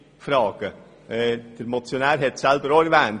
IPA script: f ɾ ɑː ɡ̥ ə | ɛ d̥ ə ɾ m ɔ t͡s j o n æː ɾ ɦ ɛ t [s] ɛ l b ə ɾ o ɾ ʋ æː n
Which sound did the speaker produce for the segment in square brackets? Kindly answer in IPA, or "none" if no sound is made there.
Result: s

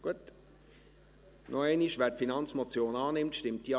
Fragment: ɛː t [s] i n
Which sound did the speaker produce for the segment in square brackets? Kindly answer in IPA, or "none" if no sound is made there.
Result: f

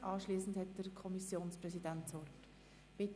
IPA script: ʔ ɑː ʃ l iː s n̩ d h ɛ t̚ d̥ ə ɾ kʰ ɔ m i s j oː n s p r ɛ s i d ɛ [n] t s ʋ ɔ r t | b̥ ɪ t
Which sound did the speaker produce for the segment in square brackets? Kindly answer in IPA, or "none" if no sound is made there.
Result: n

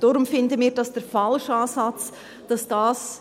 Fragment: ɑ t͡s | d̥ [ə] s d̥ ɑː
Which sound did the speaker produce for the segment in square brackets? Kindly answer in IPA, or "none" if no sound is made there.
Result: ɑ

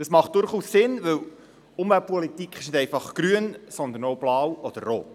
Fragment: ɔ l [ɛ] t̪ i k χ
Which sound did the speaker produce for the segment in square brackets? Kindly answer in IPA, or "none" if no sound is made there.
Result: i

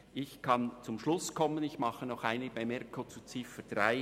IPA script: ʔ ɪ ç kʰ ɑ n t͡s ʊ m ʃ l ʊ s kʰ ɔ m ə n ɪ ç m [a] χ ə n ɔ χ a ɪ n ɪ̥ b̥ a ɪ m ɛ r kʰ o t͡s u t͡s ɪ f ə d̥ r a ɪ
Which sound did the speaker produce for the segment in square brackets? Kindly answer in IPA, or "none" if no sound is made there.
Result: ɑ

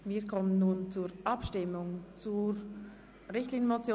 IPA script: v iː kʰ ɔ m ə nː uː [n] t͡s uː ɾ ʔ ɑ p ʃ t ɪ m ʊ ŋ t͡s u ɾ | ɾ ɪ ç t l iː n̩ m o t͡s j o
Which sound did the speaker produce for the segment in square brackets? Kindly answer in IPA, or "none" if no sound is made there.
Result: n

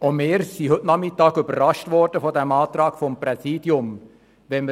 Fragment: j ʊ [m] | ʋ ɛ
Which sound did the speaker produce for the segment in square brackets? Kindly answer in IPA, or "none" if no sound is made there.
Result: m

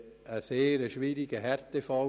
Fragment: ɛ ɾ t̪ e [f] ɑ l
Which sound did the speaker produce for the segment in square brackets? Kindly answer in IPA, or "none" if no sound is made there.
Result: f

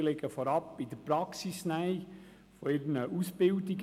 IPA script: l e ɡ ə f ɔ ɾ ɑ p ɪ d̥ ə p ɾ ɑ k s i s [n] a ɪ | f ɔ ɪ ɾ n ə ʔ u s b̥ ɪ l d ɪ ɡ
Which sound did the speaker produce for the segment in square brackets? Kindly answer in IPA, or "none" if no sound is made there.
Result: n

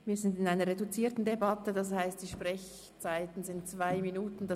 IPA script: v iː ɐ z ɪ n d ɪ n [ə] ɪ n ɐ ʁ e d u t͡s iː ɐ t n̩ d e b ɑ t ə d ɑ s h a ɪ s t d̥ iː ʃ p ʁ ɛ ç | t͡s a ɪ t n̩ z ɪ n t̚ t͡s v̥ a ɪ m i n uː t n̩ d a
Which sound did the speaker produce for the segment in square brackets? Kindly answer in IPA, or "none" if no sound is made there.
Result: a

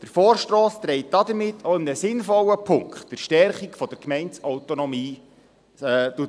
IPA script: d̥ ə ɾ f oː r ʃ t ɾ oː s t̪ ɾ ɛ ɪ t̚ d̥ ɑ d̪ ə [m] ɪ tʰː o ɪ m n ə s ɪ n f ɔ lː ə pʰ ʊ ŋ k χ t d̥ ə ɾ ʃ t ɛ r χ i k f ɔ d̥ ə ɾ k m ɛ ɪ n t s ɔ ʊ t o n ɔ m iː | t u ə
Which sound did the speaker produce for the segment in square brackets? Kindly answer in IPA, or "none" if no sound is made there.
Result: m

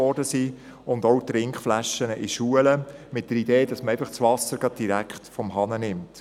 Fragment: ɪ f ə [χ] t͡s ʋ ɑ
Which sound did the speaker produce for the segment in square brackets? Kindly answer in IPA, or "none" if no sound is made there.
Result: χ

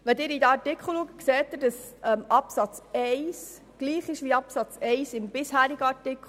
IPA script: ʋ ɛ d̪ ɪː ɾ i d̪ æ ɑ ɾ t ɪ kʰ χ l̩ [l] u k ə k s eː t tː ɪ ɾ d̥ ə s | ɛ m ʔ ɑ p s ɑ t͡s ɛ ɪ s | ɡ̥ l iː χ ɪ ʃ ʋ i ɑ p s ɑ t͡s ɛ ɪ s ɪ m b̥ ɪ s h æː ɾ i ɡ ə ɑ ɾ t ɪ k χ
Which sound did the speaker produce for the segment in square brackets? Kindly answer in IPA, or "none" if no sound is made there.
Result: l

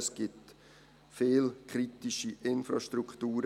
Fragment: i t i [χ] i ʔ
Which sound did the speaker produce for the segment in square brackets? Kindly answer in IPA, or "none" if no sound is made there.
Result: ʃ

